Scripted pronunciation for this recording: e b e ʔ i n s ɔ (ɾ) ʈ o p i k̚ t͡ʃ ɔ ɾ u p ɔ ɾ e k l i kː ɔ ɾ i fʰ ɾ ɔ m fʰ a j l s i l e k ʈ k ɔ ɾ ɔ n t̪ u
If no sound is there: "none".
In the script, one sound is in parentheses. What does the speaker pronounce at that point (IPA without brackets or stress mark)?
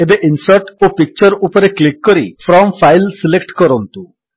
ɾ